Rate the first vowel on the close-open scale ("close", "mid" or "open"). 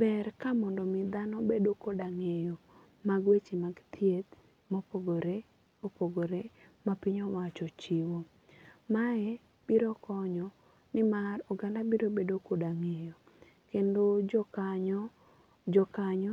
mid